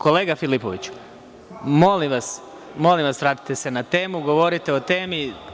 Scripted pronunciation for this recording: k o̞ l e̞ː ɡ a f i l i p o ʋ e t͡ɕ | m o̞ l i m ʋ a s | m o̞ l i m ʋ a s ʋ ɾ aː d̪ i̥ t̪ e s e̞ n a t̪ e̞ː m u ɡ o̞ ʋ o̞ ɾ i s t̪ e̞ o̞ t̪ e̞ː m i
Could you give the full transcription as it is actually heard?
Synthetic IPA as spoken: k o̞ l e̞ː ɡ a f i l i p o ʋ i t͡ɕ | m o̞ l i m ʋ a s | m o̞ l i m ʋ a s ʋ ɾ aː t̪ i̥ t̪ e s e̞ n a t̪ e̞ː m u ɡ o̞ ʋ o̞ ɾ i t̪ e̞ o̞ t̪ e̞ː m i

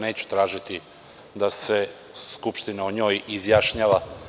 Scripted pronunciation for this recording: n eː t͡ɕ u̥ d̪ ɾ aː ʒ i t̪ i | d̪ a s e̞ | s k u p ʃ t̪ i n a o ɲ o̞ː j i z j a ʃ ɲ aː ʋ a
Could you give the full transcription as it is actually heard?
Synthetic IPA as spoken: n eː t͡ɕ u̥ t̪ ɾ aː ʒ i t̪ i | d̪ a s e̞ | s k u p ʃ t̪ i n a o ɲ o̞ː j i z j a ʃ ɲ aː ʋ a

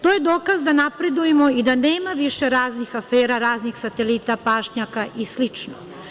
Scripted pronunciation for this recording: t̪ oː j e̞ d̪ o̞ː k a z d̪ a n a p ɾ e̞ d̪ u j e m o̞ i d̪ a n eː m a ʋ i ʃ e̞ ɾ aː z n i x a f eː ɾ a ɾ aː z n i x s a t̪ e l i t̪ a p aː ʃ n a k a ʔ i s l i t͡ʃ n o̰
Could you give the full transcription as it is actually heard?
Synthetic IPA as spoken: t̪ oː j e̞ d̪ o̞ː k a z d̪ a n a p ɾ e̞ d̪ u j e m o̞ i d̪ a n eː m a ʋ i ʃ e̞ ɾ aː z n i x a f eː ɾ a ɾ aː z n i x s a t̪ e l i t̪ a p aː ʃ ɲ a k a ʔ i s l i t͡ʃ n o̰

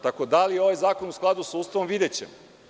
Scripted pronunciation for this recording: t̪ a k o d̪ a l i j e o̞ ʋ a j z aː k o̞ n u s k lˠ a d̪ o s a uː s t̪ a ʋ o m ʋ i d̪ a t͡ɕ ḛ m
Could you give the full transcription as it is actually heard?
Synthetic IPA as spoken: t̪ a k o d̪ a l i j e o̞ ʋ a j z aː k o̞ n u s k lˠ a d̪ u s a uː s t̪ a ʋ o m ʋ i d̪ e t͡ɕ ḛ m

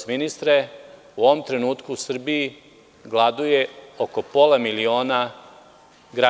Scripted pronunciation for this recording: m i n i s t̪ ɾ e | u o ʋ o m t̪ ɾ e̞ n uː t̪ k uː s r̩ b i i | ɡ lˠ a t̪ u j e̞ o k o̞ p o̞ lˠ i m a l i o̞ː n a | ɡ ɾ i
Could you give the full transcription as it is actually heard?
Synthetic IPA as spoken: m i n i s t̪ ɾ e | u o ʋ o m t̪ ɾ e̞ n uː t̪ k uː s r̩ b i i | ɡ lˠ a d̪ u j e̞ o k o̞ p o̞ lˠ a m i l i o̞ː n a | ɡ ɾ a

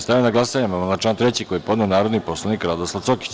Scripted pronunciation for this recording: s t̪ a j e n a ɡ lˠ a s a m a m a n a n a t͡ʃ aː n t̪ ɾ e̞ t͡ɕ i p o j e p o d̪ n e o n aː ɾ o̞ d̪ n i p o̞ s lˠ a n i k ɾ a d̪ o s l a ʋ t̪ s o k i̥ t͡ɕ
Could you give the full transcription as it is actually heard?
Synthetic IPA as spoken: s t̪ a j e n a ɡ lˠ a s a ɲ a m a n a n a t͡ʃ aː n t̪ ɾ e̞ t͡ɕ i k o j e p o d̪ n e o n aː ɾ o̞ d̪ n i p o̞ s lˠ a n i k ɾ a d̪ o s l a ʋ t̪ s o k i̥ t͡ɕ

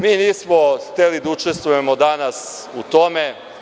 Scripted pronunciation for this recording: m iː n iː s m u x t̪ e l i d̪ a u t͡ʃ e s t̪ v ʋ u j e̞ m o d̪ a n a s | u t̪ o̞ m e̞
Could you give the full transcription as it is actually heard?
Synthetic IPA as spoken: m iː n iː s m o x t̪ e l i d̪ a u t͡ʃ e s t̪ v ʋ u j e̞ m o d̪ a n a s | u t̪ o̞ m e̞

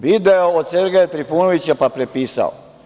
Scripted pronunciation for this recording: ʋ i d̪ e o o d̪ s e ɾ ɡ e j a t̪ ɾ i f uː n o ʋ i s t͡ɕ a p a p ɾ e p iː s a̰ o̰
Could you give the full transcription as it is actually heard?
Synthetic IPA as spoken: ʋ i d̪ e o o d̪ s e ɾ ɡ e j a t̪ ɾ i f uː n o ʋ i t͡ɕ a p a p ɾ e p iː s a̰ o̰

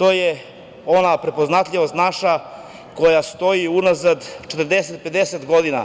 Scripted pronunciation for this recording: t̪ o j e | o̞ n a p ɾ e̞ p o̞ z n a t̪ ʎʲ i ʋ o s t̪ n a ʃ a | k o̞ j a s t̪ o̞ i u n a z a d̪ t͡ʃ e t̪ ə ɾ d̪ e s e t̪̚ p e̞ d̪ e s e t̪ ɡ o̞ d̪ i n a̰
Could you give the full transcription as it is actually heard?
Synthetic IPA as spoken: t̪ o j e | o̞ n a p ɾ e̞ p o̞ z n a t̪ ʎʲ i ʋ o s t̪ n a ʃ a | k o̞ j a s t̪ o̞ i u n a z a d̪ t͡ʃ e t̪ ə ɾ d̪ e s e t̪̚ p e̞ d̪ e s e t̪ ɡ o̞ d̪ i n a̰

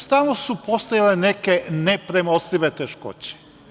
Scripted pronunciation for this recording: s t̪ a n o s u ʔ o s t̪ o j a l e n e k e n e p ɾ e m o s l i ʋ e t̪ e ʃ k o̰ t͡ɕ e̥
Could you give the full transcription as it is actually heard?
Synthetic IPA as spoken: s t̪ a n o s u p o s t̪ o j a l e n e k e n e p ɾ e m o s l i ʋ e t̪ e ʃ k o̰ t͡ɕ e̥

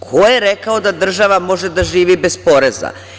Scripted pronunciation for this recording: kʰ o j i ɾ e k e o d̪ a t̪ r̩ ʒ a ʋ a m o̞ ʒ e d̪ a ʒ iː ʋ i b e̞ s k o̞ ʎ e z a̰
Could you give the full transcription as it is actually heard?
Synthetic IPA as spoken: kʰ o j e ɾ e k a o d̪ a d̪ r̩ ʒ a ʋ a m o̞ ʒ e d̪ a ʒ iː ʋ i b e̞ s p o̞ ɾ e z a̰

